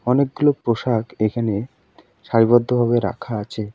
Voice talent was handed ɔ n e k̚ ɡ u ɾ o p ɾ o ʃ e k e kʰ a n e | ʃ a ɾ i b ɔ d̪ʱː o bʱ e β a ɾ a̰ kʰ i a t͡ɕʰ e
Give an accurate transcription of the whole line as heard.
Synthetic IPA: ɔ n e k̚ ɡ u l o p ɾ o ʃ a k e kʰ a n e | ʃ a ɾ i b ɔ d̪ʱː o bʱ a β e ɾ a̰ kʰ a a t͡ɕʰ e